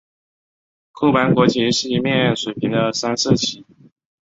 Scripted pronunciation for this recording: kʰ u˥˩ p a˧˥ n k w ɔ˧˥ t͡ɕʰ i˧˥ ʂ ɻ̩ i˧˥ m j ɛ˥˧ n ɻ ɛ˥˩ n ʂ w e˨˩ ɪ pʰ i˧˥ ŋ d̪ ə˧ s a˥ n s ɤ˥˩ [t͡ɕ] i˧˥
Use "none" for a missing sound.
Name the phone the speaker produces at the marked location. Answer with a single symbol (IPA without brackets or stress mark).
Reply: t͡ɕʰ